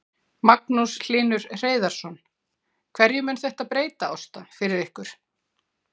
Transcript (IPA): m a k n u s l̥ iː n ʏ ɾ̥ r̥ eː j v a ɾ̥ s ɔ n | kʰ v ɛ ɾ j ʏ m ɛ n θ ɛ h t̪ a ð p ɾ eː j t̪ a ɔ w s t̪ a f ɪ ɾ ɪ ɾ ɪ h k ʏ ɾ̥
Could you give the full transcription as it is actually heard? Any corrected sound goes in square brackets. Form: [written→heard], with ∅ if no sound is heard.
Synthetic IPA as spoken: m a k n u s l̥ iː n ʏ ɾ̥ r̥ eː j [v→ð] a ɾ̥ s ɔ n | kʰ v ɛ ɾ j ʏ m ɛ n θ ɛ h t̪ a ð p ɾ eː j t̪ a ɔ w s t̪ a f ɪ ɾ ɪ ɾ ɪ h k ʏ ɾ̥